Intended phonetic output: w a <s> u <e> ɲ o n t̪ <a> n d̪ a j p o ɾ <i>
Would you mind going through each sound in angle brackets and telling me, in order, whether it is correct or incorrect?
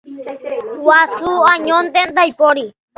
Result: correct, incorrect, incorrect, correct

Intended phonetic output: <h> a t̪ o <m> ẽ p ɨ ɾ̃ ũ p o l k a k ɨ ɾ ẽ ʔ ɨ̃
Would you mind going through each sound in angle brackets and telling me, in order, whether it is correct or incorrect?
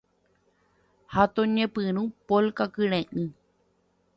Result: correct, incorrect

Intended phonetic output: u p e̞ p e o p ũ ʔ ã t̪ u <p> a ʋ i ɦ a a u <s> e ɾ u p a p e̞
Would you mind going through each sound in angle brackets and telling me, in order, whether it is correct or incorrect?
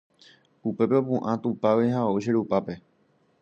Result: correct, incorrect

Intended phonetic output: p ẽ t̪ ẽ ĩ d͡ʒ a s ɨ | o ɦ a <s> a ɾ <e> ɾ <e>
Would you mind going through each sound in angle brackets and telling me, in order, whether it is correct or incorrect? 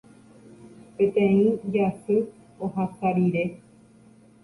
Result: correct, incorrect, correct

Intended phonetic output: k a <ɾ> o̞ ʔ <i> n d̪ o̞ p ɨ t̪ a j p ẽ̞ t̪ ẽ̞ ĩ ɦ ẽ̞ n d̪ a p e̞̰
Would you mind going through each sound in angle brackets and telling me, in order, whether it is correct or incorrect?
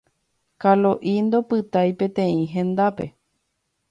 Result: incorrect, correct

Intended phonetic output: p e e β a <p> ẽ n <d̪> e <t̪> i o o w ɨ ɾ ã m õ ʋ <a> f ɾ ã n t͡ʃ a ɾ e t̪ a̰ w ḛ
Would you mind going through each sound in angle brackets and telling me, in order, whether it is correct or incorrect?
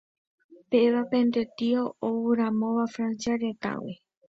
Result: correct, correct, correct, correct

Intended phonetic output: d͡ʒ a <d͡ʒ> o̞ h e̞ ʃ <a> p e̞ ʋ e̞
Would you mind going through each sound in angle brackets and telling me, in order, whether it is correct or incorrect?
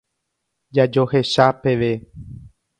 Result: correct, correct

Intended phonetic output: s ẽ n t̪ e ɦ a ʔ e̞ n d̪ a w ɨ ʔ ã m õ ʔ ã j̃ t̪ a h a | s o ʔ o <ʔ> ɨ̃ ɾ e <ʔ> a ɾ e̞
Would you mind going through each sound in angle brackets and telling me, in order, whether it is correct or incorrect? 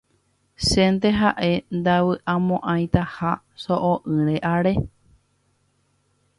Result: correct, correct

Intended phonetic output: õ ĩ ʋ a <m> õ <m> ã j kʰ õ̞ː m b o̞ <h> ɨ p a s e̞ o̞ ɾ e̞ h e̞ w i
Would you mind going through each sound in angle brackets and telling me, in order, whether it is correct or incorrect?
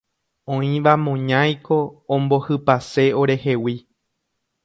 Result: correct, incorrect, correct

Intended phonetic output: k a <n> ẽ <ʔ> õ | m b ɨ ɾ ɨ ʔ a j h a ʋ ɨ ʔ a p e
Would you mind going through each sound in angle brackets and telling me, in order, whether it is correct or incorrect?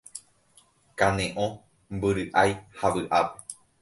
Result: correct, correct

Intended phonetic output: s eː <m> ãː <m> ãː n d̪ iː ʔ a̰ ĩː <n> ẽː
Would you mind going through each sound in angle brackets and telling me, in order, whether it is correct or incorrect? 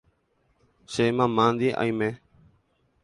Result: correct, correct, incorrect

